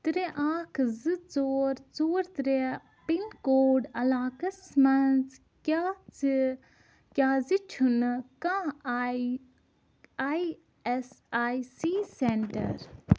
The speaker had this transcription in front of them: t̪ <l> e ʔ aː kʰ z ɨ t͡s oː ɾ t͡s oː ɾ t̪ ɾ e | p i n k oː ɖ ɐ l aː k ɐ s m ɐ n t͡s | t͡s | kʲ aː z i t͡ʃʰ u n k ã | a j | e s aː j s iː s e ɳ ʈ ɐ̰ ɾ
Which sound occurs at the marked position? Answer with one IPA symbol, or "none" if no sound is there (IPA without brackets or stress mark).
ɾ